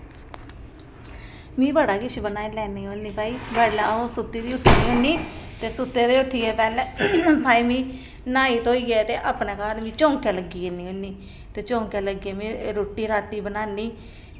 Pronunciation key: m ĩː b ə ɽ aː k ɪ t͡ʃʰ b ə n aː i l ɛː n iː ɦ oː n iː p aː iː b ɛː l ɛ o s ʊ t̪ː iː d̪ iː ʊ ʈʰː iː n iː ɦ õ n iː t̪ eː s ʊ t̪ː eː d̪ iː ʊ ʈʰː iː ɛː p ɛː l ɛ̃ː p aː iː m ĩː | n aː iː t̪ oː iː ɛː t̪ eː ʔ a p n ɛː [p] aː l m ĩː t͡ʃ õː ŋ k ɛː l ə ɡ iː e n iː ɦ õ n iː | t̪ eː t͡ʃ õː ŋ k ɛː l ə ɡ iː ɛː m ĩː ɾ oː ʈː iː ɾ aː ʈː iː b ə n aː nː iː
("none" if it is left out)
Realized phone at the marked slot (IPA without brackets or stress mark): k